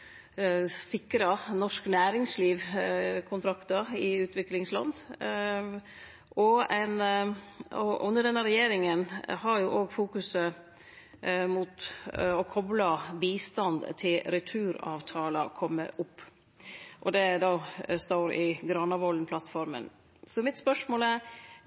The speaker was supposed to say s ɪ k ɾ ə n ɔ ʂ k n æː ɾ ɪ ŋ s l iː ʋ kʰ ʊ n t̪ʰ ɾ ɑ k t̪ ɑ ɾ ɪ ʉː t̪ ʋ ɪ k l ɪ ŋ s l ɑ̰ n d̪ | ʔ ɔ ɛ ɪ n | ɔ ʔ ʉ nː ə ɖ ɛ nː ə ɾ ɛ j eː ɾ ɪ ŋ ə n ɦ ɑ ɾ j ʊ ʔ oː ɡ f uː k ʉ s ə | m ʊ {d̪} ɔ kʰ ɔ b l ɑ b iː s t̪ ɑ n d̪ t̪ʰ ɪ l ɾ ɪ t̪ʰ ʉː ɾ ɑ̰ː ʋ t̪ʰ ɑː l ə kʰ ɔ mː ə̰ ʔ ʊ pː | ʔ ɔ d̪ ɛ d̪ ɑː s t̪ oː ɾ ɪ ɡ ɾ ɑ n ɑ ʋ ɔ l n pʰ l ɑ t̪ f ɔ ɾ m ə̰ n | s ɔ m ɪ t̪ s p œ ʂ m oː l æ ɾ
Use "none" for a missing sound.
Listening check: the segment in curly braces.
t̪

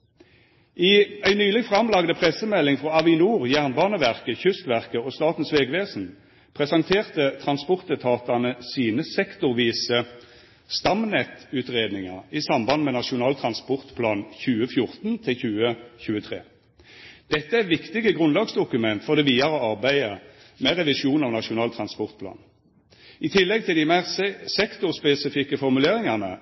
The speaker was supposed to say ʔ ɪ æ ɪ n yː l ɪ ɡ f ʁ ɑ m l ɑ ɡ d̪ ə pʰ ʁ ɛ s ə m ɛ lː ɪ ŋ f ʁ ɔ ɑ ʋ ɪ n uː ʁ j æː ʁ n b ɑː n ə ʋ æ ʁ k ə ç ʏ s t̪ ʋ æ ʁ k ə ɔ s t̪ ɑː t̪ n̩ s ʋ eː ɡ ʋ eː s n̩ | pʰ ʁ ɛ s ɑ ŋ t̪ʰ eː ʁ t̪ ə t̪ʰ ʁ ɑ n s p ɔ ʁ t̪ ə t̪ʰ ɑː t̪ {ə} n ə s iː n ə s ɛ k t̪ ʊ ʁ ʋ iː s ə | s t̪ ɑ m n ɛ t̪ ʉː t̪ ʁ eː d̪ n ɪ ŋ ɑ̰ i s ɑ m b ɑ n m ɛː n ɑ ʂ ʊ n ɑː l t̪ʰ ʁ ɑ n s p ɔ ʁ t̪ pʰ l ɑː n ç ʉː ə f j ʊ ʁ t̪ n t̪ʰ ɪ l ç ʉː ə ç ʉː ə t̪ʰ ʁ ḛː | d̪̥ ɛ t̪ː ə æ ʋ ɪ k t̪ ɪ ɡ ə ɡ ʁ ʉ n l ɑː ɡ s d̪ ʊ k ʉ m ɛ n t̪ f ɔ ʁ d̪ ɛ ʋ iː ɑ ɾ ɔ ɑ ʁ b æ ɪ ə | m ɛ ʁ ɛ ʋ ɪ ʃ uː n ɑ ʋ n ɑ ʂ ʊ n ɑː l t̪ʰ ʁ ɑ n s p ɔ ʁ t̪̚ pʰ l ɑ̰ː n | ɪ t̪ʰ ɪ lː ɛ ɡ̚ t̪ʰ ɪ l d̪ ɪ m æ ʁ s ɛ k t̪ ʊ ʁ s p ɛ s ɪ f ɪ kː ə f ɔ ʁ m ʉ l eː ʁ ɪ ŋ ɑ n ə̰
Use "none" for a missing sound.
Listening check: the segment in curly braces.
ɑ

